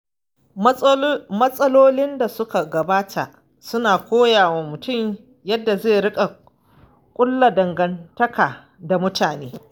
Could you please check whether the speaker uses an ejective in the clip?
yes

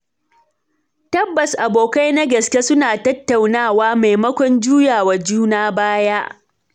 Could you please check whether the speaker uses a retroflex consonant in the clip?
no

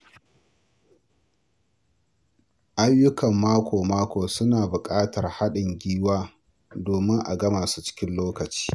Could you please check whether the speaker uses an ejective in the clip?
yes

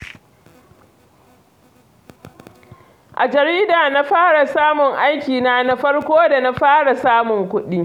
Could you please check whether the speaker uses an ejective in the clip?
no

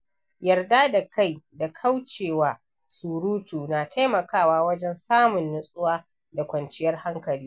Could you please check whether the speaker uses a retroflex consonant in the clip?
no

